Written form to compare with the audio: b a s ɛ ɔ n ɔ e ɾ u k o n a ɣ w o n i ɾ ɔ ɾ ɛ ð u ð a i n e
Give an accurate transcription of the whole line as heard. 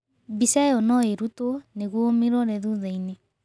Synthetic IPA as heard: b i s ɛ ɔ n ɔ e ɾ u t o n e ɣ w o m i ɾ ɔ ɾ ɛ ð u ð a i n e